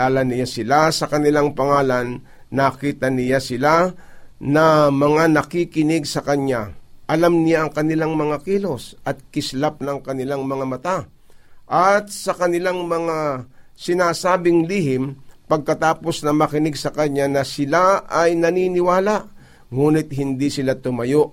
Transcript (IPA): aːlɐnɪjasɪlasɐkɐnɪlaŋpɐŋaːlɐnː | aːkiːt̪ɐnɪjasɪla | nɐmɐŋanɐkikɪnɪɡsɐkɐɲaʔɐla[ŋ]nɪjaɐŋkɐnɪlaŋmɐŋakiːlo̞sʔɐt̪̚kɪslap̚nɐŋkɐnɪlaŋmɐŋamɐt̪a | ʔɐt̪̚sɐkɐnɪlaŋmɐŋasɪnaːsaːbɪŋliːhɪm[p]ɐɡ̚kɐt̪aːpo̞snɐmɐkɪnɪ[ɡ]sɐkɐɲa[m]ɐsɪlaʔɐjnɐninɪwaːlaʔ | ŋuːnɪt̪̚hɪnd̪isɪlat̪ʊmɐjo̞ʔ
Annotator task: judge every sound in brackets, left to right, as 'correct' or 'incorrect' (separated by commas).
incorrect, correct, correct, incorrect